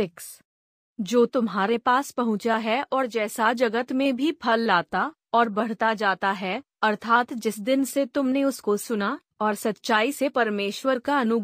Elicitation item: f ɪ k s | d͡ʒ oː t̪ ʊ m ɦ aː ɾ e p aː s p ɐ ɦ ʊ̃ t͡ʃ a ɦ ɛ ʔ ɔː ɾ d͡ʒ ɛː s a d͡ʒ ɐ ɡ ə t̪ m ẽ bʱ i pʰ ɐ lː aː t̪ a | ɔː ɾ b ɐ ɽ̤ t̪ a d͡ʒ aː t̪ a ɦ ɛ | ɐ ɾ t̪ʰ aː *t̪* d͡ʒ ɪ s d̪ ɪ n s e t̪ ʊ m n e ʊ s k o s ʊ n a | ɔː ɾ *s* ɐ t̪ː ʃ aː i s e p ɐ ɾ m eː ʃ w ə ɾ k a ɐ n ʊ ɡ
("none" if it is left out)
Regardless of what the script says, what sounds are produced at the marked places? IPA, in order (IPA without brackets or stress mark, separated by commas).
t̪, s